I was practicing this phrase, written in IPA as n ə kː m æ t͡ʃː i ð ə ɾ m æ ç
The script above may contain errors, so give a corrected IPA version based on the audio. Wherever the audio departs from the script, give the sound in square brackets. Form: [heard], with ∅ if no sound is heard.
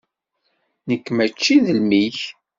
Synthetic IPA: n ə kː m æ t͡ʃː i ð ə [l] m [i] ç

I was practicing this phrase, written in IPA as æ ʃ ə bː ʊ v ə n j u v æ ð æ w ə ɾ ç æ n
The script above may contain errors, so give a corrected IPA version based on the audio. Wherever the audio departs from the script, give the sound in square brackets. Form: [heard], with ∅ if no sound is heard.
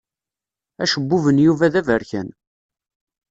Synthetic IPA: æ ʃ ə bː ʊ v ə n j u v æ ð æ [v] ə ɾ ç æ n

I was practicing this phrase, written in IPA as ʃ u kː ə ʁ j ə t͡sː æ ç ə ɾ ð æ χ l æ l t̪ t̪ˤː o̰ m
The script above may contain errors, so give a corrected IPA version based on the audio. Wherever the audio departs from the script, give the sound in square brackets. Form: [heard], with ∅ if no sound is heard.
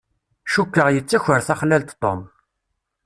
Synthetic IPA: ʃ u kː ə ʁ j ə t͡sː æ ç ə ɾ [θ] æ χ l æ l t̪ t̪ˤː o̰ m

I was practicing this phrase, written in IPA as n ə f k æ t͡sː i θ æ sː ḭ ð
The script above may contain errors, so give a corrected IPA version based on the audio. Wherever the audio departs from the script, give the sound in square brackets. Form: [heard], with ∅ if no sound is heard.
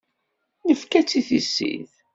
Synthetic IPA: n ə f k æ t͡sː i θ [i] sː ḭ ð

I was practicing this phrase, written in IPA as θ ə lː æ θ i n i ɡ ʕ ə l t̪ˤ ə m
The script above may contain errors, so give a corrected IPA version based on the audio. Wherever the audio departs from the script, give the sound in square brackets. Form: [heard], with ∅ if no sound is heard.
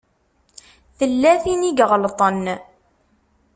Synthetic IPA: θ ə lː æ θ i n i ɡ [ʁ] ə l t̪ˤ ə [n]

